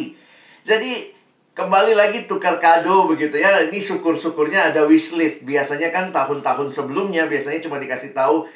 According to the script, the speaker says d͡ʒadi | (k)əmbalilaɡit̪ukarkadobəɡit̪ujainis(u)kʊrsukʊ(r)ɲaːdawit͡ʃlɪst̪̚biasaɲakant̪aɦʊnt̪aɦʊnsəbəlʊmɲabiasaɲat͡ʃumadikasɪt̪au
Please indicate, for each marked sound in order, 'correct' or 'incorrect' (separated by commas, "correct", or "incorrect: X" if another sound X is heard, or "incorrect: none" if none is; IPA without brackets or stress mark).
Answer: correct, correct, correct